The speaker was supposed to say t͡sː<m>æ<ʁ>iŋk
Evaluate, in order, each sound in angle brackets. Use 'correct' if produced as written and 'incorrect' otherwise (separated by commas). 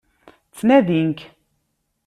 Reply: incorrect, incorrect